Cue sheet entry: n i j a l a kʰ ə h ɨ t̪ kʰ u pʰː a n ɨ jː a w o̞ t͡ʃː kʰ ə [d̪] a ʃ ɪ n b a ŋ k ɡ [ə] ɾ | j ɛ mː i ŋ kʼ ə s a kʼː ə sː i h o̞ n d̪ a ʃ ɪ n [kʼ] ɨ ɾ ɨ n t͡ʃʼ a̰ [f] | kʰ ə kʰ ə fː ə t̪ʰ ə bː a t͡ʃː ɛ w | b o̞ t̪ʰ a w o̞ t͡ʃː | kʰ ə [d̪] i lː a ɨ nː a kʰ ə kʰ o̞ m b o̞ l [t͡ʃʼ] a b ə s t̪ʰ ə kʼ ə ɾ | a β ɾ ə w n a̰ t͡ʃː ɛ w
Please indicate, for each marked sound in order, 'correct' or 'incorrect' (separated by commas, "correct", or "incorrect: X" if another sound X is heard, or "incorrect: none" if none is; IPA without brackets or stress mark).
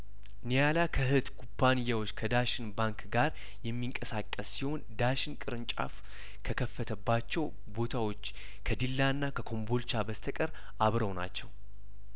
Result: correct, incorrect: a, correct, correct, correct, incorrect: t͡ʃ